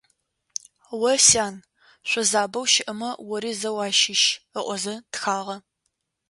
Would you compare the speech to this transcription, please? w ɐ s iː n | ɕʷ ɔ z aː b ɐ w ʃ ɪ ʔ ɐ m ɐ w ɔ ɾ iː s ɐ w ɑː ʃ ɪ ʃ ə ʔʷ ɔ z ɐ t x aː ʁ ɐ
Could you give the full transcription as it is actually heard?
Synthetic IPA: w ɐ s aː n | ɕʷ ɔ z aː b ɐ w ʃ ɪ ʔ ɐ m ɐ w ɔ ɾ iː z ɐ w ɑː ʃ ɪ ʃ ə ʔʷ ɔ z ɐ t x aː ʁ ɐ

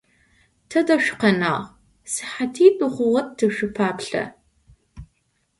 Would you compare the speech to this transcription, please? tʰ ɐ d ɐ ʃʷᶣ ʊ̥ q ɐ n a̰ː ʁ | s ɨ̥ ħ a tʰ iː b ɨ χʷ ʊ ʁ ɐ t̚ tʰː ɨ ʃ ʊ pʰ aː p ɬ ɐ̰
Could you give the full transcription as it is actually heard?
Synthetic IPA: tʰ ɐ d ɐ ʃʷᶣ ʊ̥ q ɐ n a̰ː ʁ | s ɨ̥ ħ a tʰ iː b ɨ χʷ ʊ ʁ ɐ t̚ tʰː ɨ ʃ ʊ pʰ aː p ɬ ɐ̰

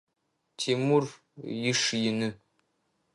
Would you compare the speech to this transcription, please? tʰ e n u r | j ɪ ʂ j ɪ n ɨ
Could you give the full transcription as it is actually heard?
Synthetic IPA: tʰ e m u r | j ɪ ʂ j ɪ n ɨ

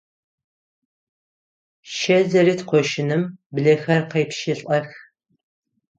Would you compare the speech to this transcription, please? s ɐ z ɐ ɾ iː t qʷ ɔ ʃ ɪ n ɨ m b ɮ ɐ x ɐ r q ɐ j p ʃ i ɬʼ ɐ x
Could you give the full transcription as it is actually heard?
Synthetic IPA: ʃ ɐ z ɐ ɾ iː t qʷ ɔ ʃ ɪ n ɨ m b ɮ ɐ x ɐ r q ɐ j p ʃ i ɬʼ ɐ x

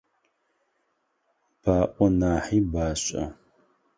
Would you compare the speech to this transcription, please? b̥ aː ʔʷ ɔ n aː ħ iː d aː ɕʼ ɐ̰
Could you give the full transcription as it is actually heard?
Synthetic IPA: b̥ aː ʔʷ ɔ n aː ħ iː b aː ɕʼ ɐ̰

